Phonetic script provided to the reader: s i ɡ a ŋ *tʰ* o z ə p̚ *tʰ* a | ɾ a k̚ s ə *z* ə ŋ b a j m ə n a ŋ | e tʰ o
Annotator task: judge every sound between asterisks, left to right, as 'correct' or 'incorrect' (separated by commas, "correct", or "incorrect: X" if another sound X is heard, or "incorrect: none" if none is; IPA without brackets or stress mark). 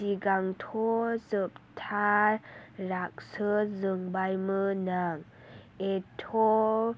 correct, correct, correct